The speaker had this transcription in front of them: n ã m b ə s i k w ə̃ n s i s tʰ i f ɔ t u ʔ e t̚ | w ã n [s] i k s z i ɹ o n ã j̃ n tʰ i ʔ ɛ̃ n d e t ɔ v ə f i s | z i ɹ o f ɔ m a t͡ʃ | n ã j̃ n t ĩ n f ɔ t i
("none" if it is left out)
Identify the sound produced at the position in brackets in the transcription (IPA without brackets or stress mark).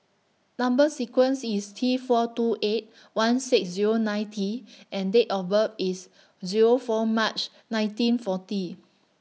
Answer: s